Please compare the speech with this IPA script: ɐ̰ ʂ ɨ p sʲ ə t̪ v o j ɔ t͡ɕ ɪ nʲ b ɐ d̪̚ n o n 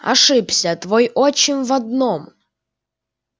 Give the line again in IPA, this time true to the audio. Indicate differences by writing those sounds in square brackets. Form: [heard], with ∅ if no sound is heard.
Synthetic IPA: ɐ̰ ʂ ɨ p sʲ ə t̪ v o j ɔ t͡ɕ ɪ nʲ [v] ɐ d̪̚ n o [m]

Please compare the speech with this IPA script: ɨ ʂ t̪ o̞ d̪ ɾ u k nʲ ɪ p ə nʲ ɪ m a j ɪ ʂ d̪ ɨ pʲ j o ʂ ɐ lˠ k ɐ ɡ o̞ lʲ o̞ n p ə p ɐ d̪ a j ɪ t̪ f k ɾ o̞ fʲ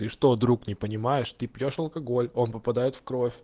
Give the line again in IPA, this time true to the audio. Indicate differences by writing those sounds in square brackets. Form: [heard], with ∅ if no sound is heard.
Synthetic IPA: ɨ ʂ t̪ o̞ d̪ ɾ u k nʲ ɪ p ə nʲ ɪ m a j ɪ ʂ [t̪] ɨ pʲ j o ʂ ɐ lˠ k ɐ ɡ o̞ lʲ o̞ n p ə p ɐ d̪ a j ɪ t̪ f k ɾ o̞ fʲ

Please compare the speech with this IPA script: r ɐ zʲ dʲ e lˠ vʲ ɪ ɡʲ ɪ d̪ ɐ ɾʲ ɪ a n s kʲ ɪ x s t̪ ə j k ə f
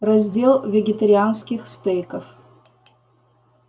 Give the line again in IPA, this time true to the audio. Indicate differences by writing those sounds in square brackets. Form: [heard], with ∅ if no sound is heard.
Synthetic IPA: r ɐ zʲ dʲ e lˠ vʲ ɪ ɡʲ ɪ [t̪] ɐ ɾʲ ɪ a n s kʲ ɪ x s t̪ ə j k ə f

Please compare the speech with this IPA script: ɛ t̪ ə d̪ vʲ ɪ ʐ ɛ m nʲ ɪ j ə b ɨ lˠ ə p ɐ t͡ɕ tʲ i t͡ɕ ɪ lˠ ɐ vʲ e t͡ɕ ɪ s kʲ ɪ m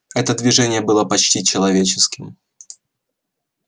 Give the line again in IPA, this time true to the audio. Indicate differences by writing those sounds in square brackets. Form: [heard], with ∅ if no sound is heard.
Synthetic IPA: ɛ t̪ ə d̪ vʲ ɪ ʐ ɛ [∅] nʲ ɪ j ə b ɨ lˠ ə p ɐ t͡ɕ tʲ i t͡ɕ ɪ lˠ ɐ vʲ e t͡ɕ ɪ s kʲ ɪ m

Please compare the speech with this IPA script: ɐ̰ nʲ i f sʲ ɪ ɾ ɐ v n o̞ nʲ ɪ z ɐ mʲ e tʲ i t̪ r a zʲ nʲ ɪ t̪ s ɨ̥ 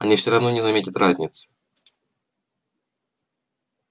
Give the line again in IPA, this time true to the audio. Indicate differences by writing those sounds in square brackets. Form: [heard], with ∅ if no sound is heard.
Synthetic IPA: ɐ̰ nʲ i f sʲ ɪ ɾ ɐ v n o̞ nʲ ɪ z ɐ mʲ e tʲ [ɪ] t̪ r a zʲ nʲ ɪ t̪ s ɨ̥

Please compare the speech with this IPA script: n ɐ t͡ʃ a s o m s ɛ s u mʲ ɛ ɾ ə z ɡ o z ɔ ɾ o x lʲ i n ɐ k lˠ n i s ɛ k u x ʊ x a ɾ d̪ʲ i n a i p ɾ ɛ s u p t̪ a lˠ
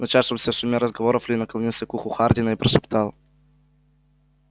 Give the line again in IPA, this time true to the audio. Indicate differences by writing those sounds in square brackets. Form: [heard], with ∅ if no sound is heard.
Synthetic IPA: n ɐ t͡ʃ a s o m s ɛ s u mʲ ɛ ɾ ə z ɡ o [v] ɔ ɾ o [f] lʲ i n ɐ k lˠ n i s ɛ k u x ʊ x a ɾ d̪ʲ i n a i p ɾ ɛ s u p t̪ a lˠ

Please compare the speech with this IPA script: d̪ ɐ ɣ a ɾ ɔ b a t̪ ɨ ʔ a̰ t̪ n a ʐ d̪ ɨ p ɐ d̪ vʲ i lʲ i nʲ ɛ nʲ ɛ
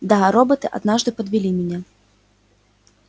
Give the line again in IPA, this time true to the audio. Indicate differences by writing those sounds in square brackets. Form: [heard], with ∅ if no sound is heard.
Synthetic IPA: d̪ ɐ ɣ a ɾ ɔ b [ɐ] t̪ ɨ ʔ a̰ [d̪] n a ʐ d̪ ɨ p ɐ d̪ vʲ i lʲ i [mʲ] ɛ nʲ ɛ

